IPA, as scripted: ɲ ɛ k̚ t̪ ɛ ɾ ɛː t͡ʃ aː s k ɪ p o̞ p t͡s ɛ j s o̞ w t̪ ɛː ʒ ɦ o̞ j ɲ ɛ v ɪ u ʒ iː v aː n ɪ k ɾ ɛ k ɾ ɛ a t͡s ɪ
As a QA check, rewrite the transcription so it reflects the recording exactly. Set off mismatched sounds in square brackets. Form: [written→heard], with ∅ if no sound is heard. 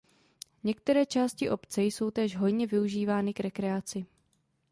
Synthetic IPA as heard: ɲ ɛ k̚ t̪ ɛ ɾ ɛː t͡ʃ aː s [k→c] ɪ [p→ʔ] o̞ p t͡s ɛ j s o̞ w t̪ ɛː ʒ ɦ o̞ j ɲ ɛ v ɪ u ʒ iː v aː n ɪ k ɾ ɛ k ɾ ɛ a t͡s ɪ